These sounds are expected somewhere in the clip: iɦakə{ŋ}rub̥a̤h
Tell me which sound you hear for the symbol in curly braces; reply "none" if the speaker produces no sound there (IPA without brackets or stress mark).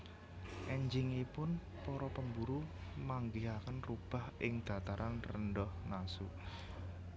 n